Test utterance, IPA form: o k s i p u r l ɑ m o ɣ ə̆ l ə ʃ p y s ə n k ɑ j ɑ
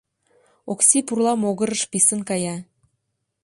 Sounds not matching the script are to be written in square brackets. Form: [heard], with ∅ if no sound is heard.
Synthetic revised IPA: o k s i p u r l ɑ m o ɣ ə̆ [ɾ] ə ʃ p [i] s ə n k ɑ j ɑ

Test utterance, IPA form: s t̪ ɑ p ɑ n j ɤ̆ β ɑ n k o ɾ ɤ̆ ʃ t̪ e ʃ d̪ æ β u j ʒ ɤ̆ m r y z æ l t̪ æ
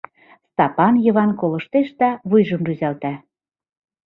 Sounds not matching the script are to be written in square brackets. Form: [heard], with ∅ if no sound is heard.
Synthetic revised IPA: s t̪ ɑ p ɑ n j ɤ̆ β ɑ n k o [l] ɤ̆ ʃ t̪ e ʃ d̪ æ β u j ʒ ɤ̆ m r y z æ l t̪ æ

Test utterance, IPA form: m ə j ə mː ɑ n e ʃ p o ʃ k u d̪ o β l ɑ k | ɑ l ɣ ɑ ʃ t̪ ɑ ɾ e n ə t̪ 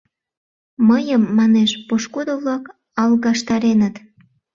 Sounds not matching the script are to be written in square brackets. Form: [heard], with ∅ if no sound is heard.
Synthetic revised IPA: m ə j ə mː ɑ n e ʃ p o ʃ k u d̪ o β l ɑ k | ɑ l ɣ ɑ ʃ t̪ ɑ ɾ e n ə t̪

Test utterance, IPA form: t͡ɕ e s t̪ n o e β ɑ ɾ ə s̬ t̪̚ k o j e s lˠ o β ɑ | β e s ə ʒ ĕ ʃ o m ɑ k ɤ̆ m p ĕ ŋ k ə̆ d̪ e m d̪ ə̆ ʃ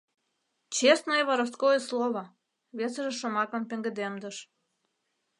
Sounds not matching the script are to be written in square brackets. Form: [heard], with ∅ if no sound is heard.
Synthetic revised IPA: t͡ɕ e s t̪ n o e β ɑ ɾ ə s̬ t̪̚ k o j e s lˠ o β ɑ | β e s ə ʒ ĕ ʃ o m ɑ k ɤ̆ m p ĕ ŋ [ɡ] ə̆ d̪ e m d̪ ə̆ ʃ

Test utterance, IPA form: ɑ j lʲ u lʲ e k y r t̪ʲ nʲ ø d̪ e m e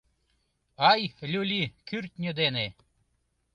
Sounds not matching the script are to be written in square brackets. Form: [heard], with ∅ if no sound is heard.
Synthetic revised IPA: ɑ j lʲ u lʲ [i] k y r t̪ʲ nʲ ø d̪ e [n] e

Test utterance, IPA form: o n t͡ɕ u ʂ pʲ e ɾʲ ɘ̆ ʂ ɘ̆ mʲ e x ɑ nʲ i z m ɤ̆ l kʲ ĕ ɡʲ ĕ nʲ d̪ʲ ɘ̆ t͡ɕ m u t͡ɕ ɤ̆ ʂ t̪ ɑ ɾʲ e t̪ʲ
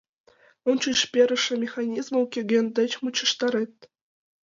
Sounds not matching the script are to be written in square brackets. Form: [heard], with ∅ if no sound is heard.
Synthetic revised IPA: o n t͡ɕ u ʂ pʲ e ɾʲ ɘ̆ ʂ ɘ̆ mʲ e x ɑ nʲ i z m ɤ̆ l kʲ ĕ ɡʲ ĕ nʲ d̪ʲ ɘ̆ t͡ɕ m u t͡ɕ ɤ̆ ʂ t̪ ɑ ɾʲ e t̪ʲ

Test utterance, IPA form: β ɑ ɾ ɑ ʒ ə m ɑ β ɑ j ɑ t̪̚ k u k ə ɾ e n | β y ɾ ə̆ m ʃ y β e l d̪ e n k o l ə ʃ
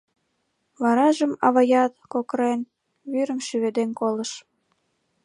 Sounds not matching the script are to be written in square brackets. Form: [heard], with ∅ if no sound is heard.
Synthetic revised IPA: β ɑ ɾ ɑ ʒ ə m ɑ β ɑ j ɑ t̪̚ k [o] k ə ɾ e n | β y ɾ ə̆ m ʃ y β e [∅] d̪ e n k o l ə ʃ

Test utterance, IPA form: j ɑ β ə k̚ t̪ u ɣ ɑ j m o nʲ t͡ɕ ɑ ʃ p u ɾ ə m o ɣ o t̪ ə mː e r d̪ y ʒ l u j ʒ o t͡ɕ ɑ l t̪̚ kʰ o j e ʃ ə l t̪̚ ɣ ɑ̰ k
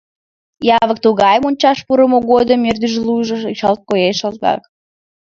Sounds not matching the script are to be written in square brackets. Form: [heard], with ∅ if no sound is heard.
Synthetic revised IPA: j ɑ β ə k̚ t̪ u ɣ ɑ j m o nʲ t͡ɕ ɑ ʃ p u ɾ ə m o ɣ o [d̪] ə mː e r d̪ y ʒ l u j ʒ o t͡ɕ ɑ l t̪̚ [k] o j e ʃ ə l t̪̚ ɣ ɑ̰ k

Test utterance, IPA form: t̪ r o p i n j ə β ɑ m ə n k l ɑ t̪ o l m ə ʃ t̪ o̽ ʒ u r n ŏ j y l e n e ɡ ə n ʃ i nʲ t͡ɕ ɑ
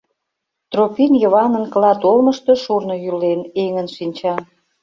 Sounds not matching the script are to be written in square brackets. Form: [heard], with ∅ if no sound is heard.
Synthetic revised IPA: t̪ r o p i n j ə β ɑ [n] ə n k l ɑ t̪ o l m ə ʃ t̪ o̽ [ʃ] u r n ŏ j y l e n e [ŋ] ə n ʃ i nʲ t͡ɕ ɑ

